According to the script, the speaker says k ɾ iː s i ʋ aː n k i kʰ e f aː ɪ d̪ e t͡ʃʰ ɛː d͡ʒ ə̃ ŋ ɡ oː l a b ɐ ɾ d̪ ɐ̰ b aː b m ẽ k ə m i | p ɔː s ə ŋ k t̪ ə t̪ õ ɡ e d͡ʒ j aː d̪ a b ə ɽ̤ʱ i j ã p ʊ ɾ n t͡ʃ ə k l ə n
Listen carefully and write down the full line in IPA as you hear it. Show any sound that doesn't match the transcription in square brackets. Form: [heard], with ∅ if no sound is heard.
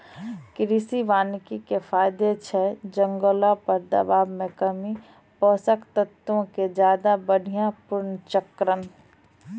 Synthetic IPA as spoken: k ɾ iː s i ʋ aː n k i [k] e f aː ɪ d̪ e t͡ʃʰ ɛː d͡ʒ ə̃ ŋ ɡ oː l a [p] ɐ ɾ d̪ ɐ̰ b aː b m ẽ k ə m i | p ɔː s ə [∅] k t̪ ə t̪ õ [k] e d͡ʒ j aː d̪ a b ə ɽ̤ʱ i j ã p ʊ ɾ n t͡ʃ ə k [ɾ] ə n